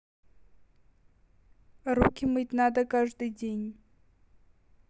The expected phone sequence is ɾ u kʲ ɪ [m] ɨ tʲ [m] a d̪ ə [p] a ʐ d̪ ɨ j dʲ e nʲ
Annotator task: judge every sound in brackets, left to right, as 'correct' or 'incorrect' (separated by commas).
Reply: correct, incorrect, incorrect